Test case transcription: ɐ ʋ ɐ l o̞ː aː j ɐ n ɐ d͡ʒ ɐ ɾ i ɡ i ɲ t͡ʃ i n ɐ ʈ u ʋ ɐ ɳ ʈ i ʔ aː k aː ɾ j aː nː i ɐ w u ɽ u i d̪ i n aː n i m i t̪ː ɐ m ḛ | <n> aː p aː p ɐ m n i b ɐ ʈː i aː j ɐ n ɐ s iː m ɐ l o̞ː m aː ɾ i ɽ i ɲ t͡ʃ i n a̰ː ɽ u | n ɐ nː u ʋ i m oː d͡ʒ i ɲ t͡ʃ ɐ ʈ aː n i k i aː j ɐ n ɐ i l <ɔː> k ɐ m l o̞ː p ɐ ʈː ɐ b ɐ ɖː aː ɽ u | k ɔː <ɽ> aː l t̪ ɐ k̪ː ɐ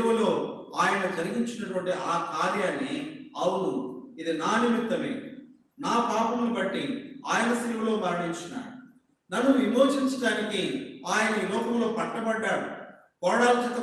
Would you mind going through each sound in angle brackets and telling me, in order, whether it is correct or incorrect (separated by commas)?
correct, correct, correct